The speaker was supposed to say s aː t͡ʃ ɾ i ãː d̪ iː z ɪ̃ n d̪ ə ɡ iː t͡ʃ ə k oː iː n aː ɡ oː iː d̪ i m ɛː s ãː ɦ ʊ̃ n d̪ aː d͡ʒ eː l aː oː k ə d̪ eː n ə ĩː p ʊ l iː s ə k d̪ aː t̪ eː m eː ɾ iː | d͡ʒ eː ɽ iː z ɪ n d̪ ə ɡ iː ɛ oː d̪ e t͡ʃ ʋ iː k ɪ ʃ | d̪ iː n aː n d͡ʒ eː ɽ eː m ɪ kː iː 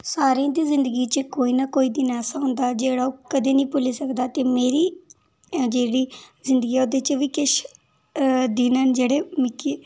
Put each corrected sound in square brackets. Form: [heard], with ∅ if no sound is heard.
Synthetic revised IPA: s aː [∅] ɾ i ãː d̪ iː z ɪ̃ n d̪ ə ɡ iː t͡ʃ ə k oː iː n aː [k] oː iː d̪ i [n] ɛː s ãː ɦ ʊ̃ n d̪ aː d͡ʒ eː [ɽ] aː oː k ə d̪ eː n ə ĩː p ʊ l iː s ə k d̪ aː t̪ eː m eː ɾ iː | d͡ʒ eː ɽ iː z ɪ n d̪ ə ɡ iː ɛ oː d̪ e t͡ʃ ʋ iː k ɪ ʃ | d̪ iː n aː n d͡ʒ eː ɽ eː m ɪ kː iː